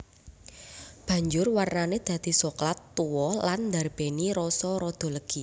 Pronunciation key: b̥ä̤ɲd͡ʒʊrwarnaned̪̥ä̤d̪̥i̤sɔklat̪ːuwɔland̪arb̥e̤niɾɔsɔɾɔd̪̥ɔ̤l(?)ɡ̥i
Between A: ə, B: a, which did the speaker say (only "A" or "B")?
A